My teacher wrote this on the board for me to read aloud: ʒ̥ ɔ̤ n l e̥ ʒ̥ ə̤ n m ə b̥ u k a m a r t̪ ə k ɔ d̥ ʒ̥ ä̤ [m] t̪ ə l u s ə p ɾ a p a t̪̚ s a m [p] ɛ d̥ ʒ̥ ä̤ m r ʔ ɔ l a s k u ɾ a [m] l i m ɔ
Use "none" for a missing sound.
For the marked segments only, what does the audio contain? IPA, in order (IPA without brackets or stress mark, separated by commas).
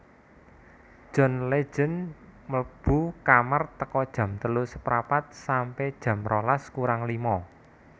m, p, ŋ